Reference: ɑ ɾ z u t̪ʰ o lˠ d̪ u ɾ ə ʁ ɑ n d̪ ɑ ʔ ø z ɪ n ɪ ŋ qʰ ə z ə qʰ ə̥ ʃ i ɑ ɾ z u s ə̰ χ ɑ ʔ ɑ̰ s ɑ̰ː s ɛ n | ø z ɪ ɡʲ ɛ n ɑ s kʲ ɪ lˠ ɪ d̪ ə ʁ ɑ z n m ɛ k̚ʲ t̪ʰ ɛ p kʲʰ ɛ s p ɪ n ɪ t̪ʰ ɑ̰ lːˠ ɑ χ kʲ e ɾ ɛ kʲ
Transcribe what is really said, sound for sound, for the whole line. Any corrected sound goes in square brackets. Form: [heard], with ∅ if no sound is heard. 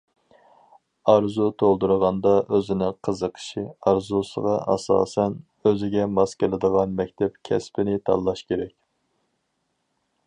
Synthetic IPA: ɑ ɾ z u t̪ʰ o lˠ d̪ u ɾ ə ʁ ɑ n d̪ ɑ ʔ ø z ɪ n ɪ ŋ qʰ ə z ə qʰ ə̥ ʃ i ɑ ɾ z u s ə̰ [ʁ] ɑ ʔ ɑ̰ s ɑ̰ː s ɛ n | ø z ɪ ɡʲ ɛ [m] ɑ s kʲ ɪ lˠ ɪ d̪ ə ʁ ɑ [∅] n m ɛ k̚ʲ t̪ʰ ɛ p kʲʰ ɛ s p ɪ n ɪ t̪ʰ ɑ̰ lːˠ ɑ [ʃ] kʲ e ɾ ɛ kʲ